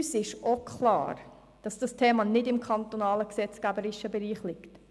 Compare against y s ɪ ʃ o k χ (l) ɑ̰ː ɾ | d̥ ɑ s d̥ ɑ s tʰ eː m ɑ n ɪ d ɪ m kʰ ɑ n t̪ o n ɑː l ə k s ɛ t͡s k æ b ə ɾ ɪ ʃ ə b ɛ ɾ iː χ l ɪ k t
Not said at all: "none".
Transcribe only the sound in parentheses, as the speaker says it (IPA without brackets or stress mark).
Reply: l